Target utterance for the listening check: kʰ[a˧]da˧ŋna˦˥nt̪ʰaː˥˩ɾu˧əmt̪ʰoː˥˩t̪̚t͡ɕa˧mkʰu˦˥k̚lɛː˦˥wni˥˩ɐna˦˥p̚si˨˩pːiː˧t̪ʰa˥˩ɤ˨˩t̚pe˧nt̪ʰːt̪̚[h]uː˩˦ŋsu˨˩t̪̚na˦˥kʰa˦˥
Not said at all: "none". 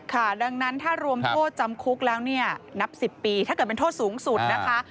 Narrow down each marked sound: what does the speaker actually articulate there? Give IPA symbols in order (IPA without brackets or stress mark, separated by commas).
a˥˩, s